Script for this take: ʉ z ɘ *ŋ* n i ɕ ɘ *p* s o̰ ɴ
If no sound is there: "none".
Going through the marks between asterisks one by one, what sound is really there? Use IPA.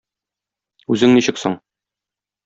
ŋ, k

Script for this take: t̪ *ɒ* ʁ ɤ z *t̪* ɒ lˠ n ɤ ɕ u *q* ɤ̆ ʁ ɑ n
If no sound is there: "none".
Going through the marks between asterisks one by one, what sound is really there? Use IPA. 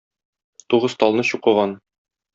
u, t̪, q

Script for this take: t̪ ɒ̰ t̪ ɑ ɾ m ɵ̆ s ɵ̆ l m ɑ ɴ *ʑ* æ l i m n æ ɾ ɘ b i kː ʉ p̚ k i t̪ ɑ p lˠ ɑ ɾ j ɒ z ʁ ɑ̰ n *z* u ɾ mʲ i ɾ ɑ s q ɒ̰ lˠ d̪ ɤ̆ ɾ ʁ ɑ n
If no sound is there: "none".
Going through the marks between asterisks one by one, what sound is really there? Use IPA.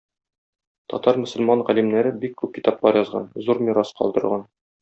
ʁ, z

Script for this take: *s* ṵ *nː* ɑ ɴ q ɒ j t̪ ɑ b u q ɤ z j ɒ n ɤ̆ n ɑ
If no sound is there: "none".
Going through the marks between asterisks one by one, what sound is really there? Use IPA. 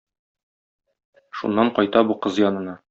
ʃ, nː

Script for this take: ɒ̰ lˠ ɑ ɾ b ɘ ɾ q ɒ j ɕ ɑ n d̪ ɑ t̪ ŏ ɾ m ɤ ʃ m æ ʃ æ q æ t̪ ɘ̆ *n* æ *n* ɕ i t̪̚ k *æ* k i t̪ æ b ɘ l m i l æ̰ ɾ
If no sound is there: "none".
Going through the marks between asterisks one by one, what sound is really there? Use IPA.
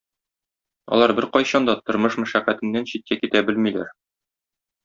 nː, n, æ

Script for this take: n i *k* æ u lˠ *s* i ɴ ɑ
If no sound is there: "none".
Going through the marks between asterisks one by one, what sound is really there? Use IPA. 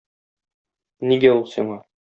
ɡ, s

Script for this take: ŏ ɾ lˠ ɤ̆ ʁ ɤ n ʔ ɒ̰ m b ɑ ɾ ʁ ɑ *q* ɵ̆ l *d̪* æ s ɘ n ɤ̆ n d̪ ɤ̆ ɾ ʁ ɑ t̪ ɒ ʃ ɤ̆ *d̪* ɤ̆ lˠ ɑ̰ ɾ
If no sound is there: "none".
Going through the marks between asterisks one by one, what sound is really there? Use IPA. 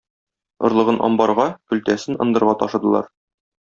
k, t̪, d̪

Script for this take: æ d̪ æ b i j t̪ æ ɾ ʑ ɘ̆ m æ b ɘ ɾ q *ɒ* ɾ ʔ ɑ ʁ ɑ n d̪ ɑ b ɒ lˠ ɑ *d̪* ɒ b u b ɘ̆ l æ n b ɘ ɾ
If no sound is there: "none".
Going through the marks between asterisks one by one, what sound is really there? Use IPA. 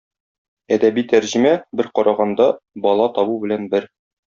ɒ, t̪

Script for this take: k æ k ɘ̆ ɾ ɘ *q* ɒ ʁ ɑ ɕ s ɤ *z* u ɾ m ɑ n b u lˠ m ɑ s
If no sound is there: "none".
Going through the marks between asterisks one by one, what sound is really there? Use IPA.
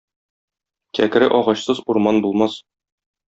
ʔ, z

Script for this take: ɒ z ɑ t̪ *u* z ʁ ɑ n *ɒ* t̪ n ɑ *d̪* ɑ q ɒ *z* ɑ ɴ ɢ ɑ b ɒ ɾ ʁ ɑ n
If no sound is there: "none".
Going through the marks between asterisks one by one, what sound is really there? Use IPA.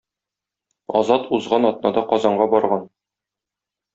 u, ɒ, d̪, z

